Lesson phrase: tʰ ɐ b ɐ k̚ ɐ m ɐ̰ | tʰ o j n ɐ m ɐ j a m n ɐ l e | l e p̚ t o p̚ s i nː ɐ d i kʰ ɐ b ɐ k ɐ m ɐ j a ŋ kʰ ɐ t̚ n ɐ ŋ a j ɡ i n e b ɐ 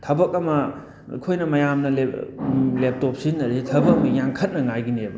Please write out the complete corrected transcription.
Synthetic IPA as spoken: tʰ ɐ b ɐ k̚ ɐ m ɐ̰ | kʰ o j n ɐ m ɐ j a m n ɐ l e | l e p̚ t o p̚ s i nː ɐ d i tʰ ɐ b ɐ k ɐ m ɐ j a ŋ kʰ ɐ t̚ n ɐ ŋ a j ɡ i n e b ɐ